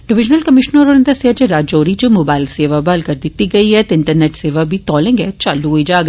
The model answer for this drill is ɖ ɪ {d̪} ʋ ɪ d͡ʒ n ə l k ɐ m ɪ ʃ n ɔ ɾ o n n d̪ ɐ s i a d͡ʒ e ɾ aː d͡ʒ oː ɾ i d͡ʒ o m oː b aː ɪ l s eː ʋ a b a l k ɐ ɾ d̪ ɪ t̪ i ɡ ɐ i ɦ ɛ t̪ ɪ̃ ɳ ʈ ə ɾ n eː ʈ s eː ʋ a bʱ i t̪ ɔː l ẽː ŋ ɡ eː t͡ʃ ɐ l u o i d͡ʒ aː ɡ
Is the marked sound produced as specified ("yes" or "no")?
no